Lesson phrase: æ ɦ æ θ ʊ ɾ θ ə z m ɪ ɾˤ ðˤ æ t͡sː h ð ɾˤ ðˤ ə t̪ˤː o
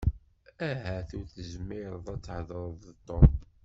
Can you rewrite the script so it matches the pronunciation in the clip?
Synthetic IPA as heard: æ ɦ æ θ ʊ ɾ θ ə z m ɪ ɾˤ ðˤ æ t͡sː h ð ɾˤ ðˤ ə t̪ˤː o